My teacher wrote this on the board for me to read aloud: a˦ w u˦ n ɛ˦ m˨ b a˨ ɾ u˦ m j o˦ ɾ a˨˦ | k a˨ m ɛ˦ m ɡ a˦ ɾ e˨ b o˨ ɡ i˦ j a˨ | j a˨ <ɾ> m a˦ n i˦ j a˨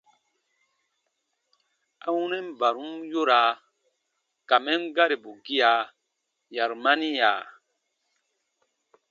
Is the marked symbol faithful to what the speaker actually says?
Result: yes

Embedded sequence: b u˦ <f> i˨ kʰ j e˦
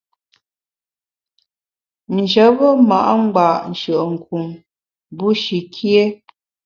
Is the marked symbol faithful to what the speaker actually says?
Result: no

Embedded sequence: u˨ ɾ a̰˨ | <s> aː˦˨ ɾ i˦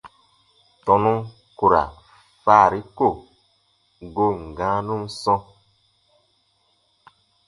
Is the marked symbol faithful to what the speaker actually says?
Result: no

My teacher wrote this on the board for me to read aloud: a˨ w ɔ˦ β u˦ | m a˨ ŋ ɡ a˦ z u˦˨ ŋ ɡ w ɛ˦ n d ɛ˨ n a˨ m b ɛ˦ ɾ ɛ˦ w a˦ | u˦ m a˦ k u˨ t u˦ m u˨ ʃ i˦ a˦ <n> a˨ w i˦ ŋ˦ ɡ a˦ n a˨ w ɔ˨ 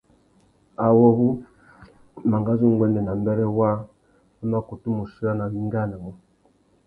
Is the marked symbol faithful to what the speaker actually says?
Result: yes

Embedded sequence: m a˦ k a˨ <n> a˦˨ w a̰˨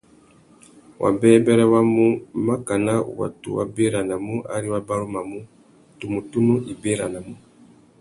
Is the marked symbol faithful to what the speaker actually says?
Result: yes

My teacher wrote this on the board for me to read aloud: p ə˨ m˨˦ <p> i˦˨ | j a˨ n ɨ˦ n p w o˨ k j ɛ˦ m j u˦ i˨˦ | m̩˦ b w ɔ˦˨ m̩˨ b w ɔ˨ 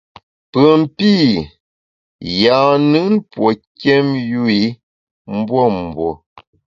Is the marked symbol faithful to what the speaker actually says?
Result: yes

